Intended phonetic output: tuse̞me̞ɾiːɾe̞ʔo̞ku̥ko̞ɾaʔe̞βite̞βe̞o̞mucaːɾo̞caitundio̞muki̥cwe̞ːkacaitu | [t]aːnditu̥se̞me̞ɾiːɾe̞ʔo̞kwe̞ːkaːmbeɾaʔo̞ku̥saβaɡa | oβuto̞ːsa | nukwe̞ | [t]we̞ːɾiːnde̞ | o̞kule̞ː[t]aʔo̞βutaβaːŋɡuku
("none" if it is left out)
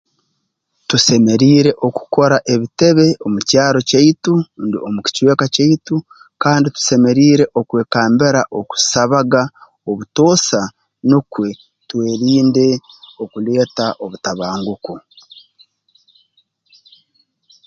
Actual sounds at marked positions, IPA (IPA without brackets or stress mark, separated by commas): k, t, t